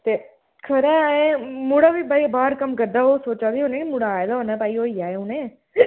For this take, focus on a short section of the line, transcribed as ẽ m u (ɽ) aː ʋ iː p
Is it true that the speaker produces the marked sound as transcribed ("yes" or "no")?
yes